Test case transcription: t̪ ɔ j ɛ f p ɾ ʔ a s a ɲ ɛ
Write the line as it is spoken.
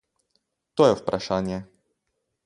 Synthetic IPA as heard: t̪ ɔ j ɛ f p ɾ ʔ a ʂ a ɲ ɛ